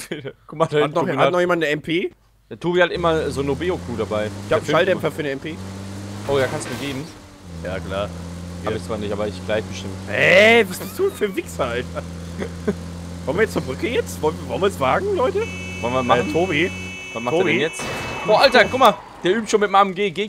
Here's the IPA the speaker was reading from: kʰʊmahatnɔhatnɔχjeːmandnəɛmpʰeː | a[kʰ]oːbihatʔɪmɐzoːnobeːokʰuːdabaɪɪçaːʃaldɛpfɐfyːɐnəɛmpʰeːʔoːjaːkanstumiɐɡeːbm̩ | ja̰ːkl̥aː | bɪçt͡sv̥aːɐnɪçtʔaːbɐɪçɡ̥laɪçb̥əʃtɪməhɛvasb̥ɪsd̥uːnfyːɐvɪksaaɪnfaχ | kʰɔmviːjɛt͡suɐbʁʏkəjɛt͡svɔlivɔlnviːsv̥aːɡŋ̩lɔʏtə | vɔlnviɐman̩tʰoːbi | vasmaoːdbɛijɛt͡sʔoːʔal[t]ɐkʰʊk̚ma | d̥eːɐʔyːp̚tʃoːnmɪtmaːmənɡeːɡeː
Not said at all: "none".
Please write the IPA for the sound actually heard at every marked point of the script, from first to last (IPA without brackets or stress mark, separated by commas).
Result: tʰ, t